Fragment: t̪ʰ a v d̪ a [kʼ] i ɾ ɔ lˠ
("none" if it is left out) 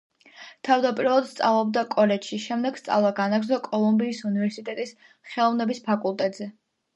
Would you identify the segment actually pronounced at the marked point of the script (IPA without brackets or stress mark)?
pʼ